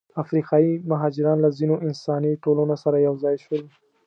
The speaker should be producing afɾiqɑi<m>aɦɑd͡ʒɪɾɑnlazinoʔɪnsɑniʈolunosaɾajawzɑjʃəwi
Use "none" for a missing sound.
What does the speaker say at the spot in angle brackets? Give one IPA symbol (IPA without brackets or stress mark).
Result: m